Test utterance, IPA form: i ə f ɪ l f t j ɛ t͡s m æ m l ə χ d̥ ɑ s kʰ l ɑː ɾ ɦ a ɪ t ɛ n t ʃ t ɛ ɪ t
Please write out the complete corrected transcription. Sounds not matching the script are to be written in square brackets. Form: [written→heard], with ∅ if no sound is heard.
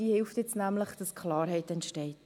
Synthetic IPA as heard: i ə [f→h] ɪ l f t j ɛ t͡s [m→n] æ m l ə χ d̥ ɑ s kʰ l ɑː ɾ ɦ [a→ɛ] ɪ t ɛ n t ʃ t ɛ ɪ t